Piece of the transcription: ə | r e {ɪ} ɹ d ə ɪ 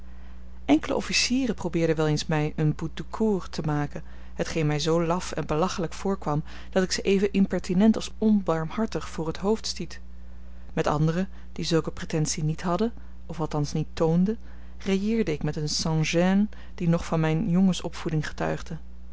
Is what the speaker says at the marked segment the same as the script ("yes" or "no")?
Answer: no